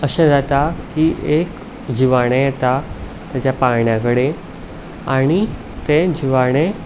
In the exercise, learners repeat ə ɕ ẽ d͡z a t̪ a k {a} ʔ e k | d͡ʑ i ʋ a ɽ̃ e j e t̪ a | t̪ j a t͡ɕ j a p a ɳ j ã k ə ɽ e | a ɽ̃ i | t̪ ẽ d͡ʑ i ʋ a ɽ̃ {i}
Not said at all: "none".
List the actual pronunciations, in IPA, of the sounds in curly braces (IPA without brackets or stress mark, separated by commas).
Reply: i, e